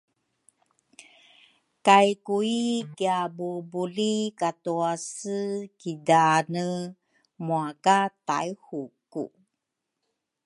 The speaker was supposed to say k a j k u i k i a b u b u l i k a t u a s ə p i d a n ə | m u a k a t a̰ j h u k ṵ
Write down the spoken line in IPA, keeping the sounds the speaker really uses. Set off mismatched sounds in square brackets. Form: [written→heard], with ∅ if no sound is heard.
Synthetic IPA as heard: k a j k u i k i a b u b u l i k a t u a s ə [p→k] i d a n ə | m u a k a t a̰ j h u k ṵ

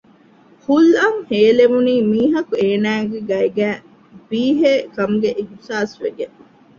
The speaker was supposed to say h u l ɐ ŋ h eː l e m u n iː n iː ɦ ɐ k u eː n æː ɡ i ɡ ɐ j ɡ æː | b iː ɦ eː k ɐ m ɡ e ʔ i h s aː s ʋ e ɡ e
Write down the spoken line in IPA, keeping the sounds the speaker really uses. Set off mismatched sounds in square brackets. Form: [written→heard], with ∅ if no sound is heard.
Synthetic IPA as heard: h u l ɐ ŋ h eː l e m u n iː [n→m] iː ɦ ɐ k u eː n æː ɡ [i→e] ɡ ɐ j ɡ æː | b iː ɦ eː k ɐ m ɡ e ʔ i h s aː s ʋ e ɡ e

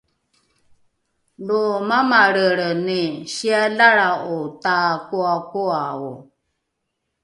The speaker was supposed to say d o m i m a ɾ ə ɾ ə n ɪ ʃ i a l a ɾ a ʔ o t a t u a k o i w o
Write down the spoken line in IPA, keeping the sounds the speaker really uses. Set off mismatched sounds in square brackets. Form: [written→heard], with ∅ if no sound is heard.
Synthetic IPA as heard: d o m [i→a] m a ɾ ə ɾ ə n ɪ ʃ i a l a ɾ a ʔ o t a [t→k] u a k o [i→a] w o

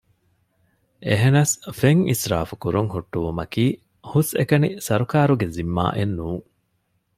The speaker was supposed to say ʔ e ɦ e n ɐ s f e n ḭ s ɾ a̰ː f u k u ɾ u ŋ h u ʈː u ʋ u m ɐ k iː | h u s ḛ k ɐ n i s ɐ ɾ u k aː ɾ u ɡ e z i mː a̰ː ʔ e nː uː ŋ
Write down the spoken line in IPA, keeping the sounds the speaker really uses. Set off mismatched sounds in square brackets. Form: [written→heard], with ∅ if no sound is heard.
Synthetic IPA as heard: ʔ e ɦ e n ɐ s f e [n→ŋ] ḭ s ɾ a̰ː f u k u ɾ u ŋ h u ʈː u ʋ u m ɐ k iː | h u s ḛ k ɐ n i s ɐ ɾ u k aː ɾ u ɡ e z i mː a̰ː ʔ e nː uː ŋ

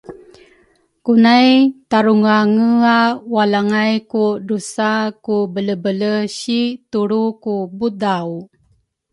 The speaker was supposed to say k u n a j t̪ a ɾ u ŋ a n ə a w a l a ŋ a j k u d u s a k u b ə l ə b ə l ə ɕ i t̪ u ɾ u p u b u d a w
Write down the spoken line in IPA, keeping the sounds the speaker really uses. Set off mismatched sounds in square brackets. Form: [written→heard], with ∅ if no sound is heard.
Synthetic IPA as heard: k u n a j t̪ a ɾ u ŋ a [n→ŋ] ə a w a l a ŋ a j k u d u s a k u b ə l ə b ə l ə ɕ i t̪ u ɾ u [p→k] u b u d a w

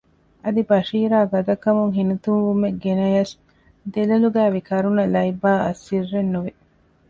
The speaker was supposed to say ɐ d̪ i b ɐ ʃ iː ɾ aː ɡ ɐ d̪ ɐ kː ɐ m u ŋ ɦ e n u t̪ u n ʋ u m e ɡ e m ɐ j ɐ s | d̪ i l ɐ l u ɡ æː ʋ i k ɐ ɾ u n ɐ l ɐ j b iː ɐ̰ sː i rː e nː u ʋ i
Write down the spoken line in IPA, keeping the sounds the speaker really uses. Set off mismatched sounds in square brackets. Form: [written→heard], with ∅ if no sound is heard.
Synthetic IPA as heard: ɐ d̪ i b ɐ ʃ iː ɾ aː ɡ ɐ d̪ ɐ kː ɐ m u ŋ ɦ [e→i] n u t̪ u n ʋ u m e ɡ e [m→n] ɐ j ɐ s | d̪ [i→e] l ɐ l u ɡ æː ʋ i k ɐ ɾ u n ɐ l ɐ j b [iː→aː] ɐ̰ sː i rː e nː u ʋ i

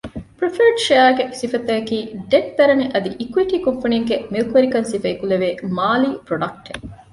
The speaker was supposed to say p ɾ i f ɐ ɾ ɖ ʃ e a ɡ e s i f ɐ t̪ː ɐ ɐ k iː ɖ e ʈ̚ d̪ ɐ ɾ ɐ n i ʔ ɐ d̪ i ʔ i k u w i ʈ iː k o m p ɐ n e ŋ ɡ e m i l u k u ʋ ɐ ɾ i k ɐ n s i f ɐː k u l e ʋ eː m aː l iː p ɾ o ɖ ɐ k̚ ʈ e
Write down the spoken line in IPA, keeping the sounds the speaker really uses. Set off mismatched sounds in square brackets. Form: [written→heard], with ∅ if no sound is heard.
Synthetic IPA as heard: p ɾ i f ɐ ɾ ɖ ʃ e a ɡ e s i f ɐ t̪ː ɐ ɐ k iː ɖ e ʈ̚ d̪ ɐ ɾ ɐ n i ʔ ɐ d̪ i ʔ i k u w i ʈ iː k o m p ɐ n [e→i] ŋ ɡ e m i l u k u ʋ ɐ ɾ i k ɐ n s i f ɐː k u l e ʋ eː m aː l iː p ɾ o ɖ ɐ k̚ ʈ e

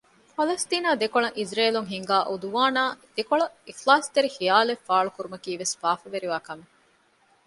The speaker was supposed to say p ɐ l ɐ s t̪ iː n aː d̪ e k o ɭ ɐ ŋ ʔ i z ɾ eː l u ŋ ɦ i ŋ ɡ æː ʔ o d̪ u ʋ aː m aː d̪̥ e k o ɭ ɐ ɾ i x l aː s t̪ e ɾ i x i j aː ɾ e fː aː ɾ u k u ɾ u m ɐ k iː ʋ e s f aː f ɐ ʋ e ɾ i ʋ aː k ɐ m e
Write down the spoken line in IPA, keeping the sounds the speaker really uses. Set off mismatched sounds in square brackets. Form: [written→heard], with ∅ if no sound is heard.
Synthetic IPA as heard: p ɐ l ɐ s t̪ iː n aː d̪ e k o ɭ ɐ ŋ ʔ i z ɾ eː l u ŋ ɦ i ŋ ɡ [æː→aː] ʔ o d̪ u ʋ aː [m→n] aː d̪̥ e k o ɭ ɐ [ɾ→∅] i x l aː s t̪ e ɾ i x i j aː [ɾ→l] e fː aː [ɾ→ɭ] u k u ɾ u m ɐ k iː ʋ e s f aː f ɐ ʋ e ɾ i ʋ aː k ɐ m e

